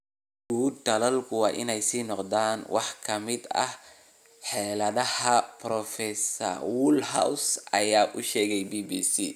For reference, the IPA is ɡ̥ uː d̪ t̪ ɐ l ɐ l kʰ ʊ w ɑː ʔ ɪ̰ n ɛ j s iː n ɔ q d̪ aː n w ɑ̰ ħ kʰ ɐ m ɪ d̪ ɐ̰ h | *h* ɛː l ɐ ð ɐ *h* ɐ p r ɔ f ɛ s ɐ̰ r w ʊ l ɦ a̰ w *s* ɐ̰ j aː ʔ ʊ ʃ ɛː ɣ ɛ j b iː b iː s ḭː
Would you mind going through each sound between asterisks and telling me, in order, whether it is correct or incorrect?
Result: incorrect: ħ, correct, correct

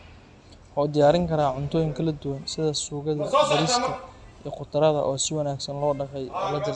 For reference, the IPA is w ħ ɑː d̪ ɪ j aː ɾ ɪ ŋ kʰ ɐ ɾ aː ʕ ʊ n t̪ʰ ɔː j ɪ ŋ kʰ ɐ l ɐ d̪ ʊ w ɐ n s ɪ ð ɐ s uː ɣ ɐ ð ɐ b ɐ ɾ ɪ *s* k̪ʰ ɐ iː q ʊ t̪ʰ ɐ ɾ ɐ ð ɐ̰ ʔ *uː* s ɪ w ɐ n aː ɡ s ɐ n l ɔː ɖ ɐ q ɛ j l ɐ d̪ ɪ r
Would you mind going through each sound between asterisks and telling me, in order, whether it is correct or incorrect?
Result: correct, incorrect: ɔː

